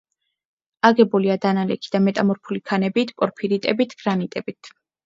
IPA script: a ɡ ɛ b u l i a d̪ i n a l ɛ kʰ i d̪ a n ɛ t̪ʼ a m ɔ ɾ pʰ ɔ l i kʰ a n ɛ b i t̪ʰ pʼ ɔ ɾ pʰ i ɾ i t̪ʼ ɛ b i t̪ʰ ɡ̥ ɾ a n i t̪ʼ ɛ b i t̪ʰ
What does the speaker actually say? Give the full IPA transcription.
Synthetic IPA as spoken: a ɡ ɛ b u l i a d̪ a n a l ɛ kʰ i d̪ a m ɛ t̪ʼ a m ɔ ɾ pʰ u l i kʰ a n ɛ b i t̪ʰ pʼ ɔ ɾ pʰ i ɾ i t̪ʼ ɛ b i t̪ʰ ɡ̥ ɾ a n i t̪ʼ ɛ b i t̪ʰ